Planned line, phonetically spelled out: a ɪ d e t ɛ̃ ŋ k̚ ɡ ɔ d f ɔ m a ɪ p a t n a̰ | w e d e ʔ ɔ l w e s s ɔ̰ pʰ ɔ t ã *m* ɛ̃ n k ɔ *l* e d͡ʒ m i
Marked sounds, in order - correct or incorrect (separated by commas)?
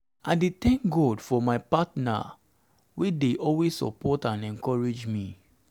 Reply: incorrect, incorrect